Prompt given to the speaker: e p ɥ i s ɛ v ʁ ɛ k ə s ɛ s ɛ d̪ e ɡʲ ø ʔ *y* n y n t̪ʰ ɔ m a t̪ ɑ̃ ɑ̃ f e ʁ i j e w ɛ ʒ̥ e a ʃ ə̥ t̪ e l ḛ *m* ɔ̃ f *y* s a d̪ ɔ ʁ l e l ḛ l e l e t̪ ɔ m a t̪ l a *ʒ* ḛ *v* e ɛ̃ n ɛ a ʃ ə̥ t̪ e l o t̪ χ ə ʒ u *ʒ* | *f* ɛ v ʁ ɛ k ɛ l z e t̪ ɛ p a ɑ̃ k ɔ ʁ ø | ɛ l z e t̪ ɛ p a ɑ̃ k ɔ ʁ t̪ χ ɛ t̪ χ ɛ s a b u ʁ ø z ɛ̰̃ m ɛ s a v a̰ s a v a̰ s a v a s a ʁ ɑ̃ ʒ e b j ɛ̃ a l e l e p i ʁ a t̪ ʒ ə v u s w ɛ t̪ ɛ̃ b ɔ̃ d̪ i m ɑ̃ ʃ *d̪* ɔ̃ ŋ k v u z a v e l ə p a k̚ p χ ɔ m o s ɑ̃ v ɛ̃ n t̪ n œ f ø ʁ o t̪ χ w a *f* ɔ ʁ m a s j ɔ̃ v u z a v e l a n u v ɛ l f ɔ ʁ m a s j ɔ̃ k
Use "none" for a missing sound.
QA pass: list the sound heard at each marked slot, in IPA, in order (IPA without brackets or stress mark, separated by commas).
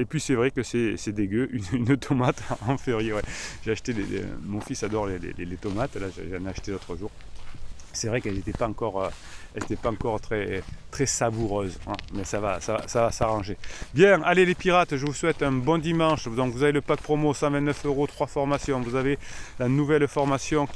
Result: y, m, i, ʒ, ʒ, ʁ, s, d̪, f